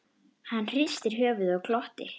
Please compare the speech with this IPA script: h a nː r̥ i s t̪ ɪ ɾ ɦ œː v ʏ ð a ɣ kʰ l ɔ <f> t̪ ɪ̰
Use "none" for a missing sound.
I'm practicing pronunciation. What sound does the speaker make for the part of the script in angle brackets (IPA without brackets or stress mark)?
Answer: h